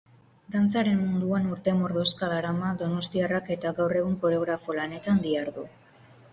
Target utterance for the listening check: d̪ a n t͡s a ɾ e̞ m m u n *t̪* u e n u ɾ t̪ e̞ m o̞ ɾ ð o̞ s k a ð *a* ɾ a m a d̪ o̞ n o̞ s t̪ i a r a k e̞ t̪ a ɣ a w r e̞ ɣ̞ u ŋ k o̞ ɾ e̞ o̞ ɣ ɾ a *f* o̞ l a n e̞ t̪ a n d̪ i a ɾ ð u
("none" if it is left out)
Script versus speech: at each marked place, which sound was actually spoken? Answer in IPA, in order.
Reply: d̪, a, f

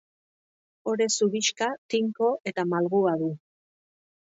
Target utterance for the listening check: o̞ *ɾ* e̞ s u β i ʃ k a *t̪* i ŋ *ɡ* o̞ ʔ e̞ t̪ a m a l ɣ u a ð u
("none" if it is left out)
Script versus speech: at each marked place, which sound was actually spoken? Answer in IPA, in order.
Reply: ɾ, t̪, k

